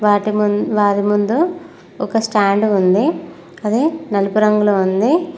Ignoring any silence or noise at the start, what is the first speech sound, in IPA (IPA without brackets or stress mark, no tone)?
ʋ